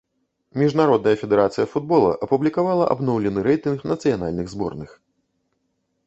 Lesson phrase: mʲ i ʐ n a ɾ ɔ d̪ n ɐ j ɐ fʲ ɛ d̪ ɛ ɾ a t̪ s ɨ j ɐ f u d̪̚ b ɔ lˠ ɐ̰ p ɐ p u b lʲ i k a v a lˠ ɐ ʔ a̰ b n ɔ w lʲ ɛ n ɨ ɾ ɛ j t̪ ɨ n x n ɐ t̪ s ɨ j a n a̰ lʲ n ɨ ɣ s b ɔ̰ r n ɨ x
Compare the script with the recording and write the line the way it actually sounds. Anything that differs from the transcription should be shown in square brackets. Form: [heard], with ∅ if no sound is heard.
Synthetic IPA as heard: mʲ i ʐ n a ɾ ɔ d̪ n ɐ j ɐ fʲ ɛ d̪ ɛ ɾ a t̪ s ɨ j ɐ f u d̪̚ b ɔ lˠ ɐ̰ [ʔ] ɐ p u b lʲ i k a v a lˠ ɐ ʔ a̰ b n ɔ w lʲ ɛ n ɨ ɾ ɛ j t̪ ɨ n x n ɐ t̪ s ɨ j a n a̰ lʲ n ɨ ɣ [z] b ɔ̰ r n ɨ x